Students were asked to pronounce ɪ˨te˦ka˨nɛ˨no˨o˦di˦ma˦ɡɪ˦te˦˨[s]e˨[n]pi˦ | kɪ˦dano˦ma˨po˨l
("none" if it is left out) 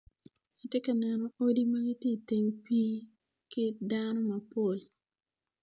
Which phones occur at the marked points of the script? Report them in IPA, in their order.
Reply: t, ŋ

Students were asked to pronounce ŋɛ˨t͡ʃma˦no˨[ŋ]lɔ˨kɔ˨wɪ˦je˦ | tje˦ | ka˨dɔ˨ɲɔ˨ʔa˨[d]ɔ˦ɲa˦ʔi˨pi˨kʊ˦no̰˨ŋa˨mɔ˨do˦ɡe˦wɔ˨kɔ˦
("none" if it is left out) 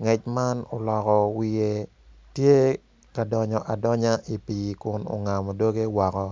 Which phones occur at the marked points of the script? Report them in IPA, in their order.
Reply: none, d

